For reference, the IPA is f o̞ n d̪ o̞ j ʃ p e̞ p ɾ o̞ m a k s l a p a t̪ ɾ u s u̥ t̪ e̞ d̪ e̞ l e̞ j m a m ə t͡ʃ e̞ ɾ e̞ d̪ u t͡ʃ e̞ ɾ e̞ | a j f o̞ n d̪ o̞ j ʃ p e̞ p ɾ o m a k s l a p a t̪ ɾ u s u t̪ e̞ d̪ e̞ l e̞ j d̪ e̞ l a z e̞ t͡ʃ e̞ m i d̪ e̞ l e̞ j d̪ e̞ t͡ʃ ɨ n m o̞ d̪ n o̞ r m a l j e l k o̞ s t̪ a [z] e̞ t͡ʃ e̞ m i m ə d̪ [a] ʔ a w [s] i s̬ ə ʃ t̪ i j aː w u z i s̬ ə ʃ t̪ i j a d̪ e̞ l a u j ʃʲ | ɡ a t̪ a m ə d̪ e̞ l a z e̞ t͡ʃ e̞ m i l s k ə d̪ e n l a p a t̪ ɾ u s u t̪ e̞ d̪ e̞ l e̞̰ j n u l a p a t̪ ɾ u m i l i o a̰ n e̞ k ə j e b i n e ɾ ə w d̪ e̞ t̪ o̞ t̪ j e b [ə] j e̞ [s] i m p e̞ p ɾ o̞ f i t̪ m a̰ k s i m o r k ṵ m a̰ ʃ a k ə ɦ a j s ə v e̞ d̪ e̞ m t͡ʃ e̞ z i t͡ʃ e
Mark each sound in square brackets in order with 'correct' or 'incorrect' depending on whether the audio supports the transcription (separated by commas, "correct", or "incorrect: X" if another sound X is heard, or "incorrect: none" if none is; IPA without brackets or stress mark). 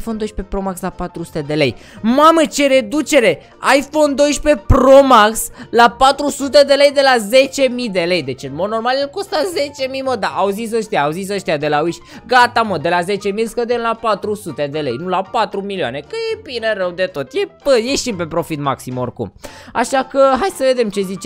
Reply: correct, correct, incorrect: z, correct, incorrect: ʃ